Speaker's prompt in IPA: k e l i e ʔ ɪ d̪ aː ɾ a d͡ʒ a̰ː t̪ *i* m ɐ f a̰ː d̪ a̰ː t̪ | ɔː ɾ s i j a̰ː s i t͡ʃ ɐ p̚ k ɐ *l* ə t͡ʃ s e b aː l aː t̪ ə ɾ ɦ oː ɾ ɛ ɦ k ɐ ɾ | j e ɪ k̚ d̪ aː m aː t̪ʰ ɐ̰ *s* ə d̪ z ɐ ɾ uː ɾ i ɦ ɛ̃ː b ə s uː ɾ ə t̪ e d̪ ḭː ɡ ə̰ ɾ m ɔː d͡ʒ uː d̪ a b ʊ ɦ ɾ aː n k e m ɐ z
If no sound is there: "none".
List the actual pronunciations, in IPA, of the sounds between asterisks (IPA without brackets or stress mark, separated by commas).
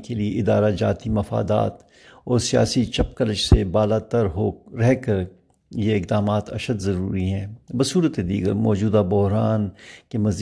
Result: i, l, ʃ